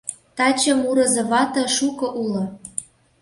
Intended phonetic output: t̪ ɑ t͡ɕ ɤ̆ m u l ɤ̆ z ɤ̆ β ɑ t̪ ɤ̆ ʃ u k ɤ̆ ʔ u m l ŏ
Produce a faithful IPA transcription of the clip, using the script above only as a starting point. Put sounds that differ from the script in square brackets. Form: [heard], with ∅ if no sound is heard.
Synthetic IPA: t̪ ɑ t͡ɕ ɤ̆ m u [ɾ] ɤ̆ z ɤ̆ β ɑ t̪ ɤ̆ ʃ u k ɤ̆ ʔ u [∅] l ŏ